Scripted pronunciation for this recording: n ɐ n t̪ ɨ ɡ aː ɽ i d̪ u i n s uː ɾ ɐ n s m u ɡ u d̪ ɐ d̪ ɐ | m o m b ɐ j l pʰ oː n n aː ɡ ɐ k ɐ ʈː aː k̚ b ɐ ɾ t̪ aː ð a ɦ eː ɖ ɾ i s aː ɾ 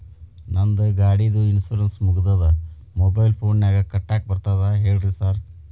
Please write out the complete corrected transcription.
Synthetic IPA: n ɐ n d̪ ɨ ɡ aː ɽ i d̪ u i n s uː ɾ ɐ n s m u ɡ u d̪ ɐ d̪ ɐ | m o b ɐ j l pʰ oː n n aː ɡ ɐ k ɐ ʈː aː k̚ b ɐ ɾ t̪ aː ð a ɦ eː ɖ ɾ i s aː ɾ